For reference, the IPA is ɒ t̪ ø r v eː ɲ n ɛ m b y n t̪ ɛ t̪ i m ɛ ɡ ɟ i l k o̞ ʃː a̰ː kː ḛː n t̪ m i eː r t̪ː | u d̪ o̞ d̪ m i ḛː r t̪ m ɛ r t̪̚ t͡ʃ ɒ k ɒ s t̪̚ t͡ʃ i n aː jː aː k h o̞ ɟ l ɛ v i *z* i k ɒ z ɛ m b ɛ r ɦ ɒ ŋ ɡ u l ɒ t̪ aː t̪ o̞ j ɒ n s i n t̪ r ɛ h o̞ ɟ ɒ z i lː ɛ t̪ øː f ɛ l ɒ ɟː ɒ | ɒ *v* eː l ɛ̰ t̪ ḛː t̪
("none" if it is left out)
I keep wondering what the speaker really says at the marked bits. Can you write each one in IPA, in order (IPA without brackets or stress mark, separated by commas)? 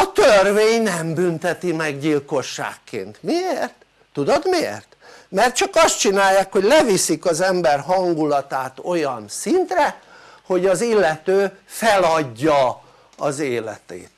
s, z